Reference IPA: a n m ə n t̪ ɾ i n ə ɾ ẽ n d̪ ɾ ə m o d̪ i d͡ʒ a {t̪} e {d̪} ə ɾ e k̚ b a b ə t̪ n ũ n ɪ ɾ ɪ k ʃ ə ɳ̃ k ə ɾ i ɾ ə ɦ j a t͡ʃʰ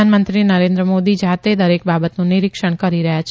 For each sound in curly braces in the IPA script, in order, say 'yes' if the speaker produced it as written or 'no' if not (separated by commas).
yes, yes